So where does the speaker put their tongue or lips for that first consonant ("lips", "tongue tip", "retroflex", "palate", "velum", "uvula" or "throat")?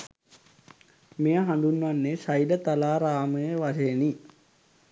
lips